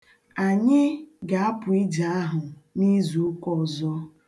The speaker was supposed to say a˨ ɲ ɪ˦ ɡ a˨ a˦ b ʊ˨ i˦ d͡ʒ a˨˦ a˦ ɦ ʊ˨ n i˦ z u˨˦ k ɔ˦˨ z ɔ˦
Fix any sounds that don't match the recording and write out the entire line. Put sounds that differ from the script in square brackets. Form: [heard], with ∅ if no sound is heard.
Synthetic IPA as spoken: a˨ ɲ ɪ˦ ɡ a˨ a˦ [p] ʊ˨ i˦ d͡ʒ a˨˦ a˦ ɦ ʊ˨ n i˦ z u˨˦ k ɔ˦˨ z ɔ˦

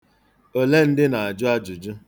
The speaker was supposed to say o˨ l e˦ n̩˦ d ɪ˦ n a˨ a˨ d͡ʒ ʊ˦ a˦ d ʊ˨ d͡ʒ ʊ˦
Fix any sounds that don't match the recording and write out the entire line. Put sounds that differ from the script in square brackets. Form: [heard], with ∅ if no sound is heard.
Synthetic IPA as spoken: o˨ l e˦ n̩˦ d ɪ˦ n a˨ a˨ d͡ʒ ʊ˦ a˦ [d͡ʒ] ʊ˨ d͡ʒ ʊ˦

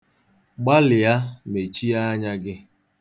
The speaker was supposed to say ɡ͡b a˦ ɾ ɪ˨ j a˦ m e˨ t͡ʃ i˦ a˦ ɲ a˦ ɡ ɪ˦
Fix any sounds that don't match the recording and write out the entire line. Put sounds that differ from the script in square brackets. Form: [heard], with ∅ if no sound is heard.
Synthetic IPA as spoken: ɡ͡b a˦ [l] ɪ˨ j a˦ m e˨ t͡ʃ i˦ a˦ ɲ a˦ ɡ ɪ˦

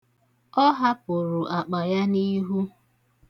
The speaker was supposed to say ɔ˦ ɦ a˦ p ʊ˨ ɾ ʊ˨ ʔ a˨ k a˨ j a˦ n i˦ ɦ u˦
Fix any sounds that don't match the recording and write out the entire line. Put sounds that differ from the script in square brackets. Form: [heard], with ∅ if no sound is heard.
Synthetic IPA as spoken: ɔ˦ ɦ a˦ p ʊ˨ ɾ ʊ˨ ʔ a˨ [k͡p] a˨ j a˦ n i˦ ɦ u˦

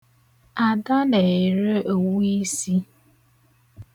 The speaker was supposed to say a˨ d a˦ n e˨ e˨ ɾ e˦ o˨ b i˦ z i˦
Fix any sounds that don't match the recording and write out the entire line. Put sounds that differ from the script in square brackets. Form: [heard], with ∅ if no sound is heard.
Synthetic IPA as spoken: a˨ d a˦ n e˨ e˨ ɾ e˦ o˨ [w] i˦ [s] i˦

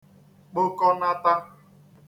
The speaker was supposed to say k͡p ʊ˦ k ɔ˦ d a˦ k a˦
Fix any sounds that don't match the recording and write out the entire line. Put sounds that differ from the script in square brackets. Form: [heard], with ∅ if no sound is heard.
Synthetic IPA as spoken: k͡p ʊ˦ k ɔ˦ [n] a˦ [t] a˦

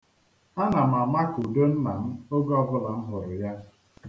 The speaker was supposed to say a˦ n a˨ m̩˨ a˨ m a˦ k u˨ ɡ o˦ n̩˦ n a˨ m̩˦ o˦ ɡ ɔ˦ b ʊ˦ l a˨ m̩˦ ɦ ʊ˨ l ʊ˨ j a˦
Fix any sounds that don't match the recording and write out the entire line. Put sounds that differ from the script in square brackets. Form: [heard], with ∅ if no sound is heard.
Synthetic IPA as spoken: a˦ n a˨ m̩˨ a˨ m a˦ k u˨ [d] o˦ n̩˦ n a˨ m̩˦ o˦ ɡ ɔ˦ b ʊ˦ l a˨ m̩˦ ɦ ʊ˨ [ɾ] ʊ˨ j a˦

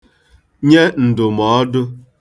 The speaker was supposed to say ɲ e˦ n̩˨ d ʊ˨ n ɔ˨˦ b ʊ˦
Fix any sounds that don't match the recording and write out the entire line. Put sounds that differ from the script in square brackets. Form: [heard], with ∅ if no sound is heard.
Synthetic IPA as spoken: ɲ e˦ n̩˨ d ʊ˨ [m] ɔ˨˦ [d] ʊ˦

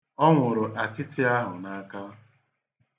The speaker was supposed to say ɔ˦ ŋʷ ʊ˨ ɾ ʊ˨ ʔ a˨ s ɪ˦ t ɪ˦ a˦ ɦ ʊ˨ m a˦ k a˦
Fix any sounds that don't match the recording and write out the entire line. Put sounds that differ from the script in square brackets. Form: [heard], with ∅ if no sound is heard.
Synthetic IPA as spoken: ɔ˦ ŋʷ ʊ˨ ɾ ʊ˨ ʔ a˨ [t] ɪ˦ t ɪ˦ a˦ ɦ ʊ˨ [n] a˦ k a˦

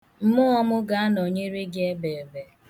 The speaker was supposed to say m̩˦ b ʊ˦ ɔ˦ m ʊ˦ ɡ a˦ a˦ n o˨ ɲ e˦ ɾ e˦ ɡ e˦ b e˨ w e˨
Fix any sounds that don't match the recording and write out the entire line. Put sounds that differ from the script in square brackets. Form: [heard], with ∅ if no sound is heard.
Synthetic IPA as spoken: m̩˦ [m] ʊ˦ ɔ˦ m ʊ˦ ɡ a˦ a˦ n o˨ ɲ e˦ ɾ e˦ ɡ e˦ b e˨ [b] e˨

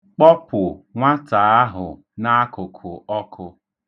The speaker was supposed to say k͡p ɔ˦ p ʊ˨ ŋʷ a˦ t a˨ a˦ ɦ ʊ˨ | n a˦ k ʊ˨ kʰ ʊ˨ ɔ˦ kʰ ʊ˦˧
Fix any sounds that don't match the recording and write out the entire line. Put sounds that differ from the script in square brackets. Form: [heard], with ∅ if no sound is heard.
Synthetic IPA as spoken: k͡p ɔ˦ p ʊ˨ ŋʷ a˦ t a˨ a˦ ɦ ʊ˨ | n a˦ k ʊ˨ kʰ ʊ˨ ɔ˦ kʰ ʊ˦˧

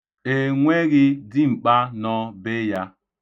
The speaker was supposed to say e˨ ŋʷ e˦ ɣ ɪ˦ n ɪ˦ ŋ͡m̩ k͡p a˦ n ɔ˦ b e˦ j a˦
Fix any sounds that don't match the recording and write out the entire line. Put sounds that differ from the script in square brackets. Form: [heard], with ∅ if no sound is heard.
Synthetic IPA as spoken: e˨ ŋʷ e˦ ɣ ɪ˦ [d] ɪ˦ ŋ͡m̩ k͡p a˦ n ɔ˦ b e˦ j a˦

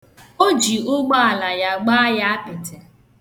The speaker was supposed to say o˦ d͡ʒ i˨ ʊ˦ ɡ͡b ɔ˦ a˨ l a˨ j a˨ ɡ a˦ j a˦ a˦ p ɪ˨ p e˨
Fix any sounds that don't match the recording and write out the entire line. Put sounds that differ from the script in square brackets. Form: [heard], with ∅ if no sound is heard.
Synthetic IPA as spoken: o˦ d͡ʒ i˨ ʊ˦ ɡ͡b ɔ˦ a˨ l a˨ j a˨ [ɡ͡b] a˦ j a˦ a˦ p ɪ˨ [t] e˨

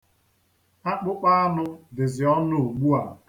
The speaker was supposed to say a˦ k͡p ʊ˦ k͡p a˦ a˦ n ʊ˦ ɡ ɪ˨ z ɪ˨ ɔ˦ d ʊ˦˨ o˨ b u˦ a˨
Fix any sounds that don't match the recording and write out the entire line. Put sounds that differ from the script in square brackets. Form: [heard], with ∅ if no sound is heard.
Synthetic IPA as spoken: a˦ k͡p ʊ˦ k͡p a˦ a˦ n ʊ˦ [d] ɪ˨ z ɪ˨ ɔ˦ [n] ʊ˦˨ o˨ [ɡ͡b] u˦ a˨

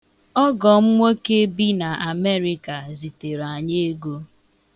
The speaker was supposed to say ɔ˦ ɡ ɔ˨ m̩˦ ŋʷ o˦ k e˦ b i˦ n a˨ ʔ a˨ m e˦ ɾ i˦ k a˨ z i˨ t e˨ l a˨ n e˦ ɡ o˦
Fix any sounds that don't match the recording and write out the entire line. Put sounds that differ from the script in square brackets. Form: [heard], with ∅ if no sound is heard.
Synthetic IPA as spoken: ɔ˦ ɡ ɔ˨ m̩˦ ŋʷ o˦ k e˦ b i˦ n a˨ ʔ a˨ m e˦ ɾ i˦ k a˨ z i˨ t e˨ [ɾ] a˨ [ɲ] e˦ ɡ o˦

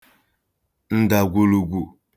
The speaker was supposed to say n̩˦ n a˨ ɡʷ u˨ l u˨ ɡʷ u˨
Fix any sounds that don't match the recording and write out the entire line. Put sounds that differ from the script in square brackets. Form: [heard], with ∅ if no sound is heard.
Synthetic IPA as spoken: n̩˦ [d] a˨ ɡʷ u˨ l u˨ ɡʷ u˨

